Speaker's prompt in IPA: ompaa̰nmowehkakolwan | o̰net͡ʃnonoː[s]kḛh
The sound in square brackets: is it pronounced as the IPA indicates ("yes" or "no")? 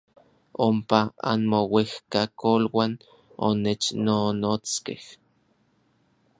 no